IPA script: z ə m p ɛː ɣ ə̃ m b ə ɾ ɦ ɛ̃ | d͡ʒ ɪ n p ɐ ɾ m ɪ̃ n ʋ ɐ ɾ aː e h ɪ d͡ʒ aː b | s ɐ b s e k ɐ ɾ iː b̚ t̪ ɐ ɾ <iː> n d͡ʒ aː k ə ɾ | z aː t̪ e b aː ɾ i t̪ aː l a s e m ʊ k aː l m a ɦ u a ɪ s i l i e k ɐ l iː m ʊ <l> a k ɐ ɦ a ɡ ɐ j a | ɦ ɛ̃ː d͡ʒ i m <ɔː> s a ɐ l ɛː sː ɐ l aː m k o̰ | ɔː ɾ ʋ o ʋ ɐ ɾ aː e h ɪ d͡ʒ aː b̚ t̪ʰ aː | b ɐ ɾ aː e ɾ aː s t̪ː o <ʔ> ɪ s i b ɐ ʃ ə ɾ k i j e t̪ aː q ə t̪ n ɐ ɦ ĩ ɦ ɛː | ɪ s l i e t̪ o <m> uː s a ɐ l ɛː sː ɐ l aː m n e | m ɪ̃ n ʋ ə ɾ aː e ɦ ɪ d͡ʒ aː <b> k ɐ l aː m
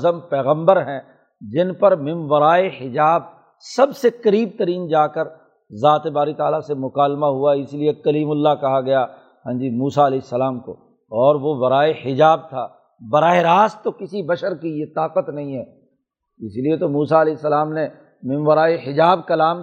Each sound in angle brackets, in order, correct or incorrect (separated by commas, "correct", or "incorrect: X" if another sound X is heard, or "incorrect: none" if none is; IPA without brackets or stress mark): correct, incorrect: lː, incorrect: uː, incorrect: k, correct, correct